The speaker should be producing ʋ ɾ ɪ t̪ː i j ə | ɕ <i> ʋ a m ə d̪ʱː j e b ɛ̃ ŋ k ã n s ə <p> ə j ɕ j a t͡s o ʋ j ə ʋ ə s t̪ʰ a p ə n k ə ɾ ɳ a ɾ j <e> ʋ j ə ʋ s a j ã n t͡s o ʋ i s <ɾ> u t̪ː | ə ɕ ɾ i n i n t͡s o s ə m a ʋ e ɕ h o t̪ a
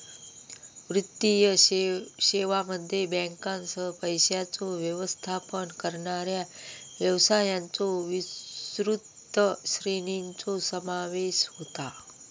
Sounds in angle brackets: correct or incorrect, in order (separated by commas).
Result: incorrect, correct, incorrect, correct